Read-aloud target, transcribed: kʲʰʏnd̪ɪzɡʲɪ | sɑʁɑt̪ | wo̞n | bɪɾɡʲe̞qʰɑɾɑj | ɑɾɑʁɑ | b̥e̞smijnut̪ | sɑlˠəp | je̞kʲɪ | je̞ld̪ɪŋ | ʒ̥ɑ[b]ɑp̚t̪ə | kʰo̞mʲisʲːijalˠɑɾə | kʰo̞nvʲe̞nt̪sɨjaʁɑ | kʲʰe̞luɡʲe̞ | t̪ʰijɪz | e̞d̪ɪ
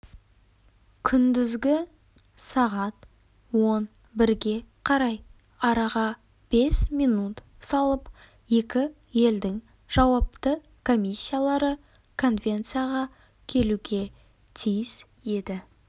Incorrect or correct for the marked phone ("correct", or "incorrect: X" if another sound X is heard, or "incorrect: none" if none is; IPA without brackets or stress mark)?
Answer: incorrect: w